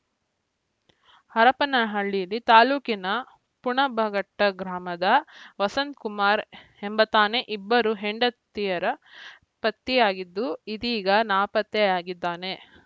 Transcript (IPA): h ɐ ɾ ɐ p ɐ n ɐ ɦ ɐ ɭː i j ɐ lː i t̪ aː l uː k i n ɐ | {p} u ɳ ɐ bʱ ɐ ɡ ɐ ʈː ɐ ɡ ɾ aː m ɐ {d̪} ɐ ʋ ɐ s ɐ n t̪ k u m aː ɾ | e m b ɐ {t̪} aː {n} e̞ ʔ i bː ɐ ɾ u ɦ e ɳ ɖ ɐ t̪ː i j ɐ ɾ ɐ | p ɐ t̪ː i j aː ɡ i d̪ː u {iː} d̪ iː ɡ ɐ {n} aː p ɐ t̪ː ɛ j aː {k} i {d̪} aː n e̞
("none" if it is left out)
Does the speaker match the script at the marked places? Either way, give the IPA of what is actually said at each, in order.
p, d̪, t̪, n, i, n, ɡ, d̪ː

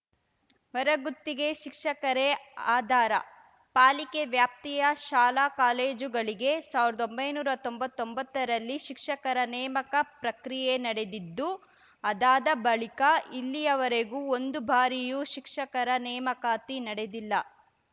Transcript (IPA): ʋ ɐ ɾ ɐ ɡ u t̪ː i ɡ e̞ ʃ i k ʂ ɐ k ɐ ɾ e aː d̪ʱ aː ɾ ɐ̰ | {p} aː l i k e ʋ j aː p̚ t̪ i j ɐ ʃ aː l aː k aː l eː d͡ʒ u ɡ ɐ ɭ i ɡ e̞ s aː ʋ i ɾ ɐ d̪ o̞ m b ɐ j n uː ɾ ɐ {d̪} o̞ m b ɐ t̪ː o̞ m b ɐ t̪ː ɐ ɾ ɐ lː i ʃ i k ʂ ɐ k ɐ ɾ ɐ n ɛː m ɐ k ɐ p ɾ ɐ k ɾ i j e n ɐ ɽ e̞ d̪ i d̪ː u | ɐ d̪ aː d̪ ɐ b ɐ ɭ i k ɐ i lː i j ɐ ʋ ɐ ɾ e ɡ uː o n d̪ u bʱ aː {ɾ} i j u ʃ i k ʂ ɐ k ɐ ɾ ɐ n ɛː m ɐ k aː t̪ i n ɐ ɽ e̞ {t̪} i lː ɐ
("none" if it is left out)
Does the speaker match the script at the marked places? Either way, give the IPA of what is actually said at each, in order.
p, t̪, ɾ, d̪

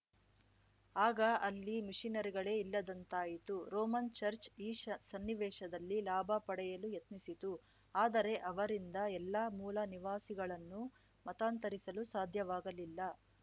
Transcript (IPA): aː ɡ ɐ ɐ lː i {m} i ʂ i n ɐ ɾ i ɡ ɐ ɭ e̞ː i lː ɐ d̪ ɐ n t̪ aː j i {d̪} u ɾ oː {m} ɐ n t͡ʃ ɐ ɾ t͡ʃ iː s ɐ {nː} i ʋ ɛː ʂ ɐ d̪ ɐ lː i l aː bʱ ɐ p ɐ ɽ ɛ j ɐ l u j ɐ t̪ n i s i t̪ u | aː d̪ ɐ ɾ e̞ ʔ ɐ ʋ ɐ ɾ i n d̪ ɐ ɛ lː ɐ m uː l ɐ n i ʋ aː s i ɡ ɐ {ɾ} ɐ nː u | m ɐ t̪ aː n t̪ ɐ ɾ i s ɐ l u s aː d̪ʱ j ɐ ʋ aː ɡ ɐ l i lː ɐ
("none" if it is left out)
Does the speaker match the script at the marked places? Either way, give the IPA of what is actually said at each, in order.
m, t̪, m, nː, ɭ

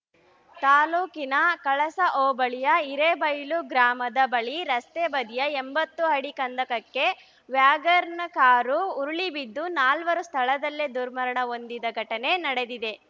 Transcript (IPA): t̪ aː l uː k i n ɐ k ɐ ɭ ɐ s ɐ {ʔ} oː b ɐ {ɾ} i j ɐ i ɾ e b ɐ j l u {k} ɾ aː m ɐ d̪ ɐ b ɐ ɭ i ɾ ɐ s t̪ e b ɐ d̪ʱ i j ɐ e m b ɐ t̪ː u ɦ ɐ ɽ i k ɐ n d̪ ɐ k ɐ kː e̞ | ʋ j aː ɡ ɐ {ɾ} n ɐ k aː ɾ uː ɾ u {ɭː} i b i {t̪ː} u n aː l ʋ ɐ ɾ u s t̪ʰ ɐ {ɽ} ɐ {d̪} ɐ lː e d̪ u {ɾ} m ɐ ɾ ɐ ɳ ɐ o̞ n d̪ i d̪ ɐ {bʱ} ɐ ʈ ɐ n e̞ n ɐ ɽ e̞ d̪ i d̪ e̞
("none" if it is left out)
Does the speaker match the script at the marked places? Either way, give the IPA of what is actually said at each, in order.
ʔ, ɭ, ɡ, ɾ, ɭ, d̪ː, ɭ, d̪, ɾ, ɡʱ

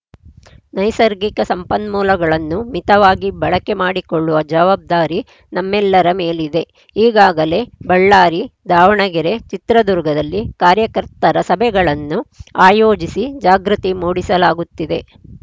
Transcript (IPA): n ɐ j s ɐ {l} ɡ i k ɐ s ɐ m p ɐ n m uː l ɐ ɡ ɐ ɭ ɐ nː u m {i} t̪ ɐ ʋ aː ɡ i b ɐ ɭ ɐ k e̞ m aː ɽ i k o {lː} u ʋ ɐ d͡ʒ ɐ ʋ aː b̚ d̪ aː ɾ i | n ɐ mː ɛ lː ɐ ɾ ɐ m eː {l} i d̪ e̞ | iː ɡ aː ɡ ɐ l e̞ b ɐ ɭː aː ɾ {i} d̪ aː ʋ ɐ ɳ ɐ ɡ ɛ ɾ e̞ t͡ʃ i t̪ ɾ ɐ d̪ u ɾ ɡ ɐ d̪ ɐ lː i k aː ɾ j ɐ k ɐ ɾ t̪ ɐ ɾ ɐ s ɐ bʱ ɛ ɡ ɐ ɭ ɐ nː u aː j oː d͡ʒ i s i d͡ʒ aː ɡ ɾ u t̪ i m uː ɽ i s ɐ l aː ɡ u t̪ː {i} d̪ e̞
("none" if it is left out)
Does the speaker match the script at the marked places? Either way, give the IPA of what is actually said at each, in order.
ɾ, i, ɭː, l, i, i

